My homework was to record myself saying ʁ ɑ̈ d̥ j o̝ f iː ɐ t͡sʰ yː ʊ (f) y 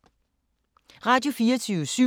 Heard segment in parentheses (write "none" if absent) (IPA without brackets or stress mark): s